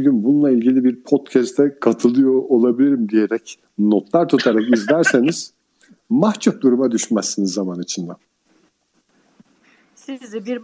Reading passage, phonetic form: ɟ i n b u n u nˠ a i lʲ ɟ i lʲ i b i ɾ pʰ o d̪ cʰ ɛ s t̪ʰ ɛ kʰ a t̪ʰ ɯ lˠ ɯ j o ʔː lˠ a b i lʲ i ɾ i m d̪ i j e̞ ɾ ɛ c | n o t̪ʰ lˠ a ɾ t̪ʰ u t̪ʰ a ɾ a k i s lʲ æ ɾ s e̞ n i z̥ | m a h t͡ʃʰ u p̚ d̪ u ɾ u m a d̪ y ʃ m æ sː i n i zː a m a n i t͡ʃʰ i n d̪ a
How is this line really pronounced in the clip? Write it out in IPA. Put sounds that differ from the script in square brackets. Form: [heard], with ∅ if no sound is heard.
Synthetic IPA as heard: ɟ [y] n b u n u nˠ a i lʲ ɟ i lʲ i b i ɾ pʰ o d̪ cʰ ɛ s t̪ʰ ɛ kʰ a t̪ʰ ɯ lˠ ɯ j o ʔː lˠ a b i lʲ i ɾ i m d̪ i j e̞ ɾ ɛ c | n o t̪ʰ lˠ a ɾ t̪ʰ u t̪ʰ a ɾ a k i [z] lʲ æ ɾ s e̞ n i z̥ | m a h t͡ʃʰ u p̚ d̪ u ɾ u m a d̪ y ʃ m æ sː i n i zː a m a n i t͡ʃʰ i n d̪ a